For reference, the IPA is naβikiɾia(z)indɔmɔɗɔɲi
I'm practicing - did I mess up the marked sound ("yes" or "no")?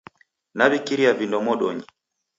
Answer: yes